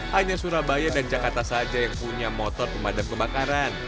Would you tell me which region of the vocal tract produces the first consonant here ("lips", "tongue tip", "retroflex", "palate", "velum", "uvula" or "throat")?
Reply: throat